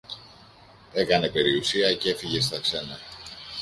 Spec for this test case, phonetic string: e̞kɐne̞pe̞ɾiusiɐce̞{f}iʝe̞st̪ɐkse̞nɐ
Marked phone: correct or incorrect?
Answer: correct